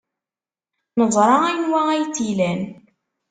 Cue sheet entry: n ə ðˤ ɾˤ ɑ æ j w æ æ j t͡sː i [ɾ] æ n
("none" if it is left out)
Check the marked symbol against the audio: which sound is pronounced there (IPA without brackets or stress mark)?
l